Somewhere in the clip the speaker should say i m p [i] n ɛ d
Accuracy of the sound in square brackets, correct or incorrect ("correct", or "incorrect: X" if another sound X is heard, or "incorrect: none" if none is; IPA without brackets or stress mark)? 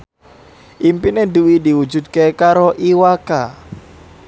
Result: correct